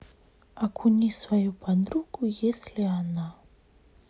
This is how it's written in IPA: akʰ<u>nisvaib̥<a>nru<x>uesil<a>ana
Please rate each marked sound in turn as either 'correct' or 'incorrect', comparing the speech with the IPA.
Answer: correct, correct, incorrect: k, incorrect: e

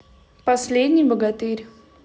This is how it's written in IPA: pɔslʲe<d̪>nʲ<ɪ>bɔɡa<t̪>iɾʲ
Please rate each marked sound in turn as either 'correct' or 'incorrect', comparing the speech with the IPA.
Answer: correct, incorrect: i, correct

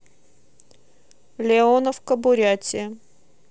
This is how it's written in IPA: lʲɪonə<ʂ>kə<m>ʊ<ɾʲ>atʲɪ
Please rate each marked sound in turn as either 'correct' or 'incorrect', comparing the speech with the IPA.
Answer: incorrect: f, incorrect: b, correct

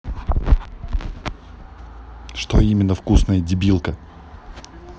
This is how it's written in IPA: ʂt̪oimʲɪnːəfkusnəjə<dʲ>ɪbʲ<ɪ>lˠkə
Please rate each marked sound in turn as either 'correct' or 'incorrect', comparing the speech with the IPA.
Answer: correct, incorrect: i

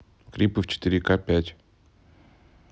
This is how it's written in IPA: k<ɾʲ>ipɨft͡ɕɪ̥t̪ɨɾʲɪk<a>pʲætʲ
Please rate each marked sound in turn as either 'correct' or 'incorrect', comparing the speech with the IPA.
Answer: correct, correct

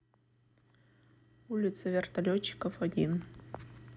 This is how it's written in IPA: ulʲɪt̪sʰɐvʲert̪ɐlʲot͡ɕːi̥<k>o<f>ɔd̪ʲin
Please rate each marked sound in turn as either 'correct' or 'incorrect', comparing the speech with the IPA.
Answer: correct, correct

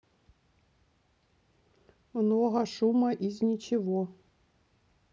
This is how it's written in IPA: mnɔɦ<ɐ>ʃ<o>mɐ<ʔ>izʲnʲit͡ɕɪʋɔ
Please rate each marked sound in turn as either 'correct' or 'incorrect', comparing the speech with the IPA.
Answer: correct, incorrect: u, correct

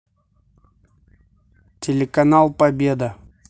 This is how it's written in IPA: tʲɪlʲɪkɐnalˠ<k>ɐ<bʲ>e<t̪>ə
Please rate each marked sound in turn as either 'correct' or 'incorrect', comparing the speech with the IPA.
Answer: incorrect: p, correct, incorrect: d̪

